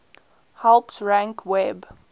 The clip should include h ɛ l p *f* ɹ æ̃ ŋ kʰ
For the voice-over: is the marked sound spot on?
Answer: no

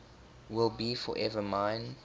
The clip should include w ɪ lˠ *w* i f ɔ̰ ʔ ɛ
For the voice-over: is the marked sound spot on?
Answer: no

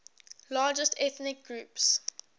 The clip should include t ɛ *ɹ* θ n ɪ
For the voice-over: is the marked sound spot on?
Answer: no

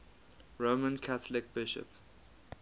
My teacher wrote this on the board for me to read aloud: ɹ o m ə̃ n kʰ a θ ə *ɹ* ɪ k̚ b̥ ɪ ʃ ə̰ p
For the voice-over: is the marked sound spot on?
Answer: no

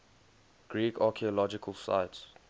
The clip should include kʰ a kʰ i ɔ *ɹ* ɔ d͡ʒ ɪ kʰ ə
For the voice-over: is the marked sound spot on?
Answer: no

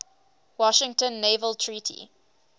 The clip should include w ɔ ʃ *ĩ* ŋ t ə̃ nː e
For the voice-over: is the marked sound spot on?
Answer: no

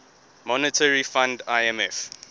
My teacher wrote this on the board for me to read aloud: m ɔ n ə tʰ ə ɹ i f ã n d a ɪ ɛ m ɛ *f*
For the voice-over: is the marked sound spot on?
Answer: yes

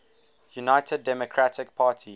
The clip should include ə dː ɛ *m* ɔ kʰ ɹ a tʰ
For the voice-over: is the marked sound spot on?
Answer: yes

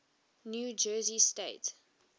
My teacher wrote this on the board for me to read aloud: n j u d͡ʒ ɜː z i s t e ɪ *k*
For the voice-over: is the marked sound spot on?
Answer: no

